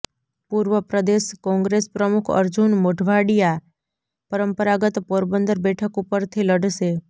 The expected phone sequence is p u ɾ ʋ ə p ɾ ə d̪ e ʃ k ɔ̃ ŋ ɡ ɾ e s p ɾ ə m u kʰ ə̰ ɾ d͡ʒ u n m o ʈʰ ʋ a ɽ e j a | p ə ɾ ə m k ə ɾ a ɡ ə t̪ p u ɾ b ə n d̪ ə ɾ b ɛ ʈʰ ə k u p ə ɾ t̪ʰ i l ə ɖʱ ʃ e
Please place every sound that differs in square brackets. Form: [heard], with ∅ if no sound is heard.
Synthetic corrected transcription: p u ɾ ʋ ə p ɾ ə d̪ e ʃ k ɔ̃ ŋ ɡ ɾ e s p ɾ ə m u kʰ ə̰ ɾ d͡ʒ u n m o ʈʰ ʋ a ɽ [i] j a | p ə ɾ ə m [p] ə ɾ a ɡ ə t̪ p [o] ɾ b ə n d̪ ə ɾ b ɛ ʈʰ ə k u p ə ɾ t̪ʰ i l ə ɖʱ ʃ e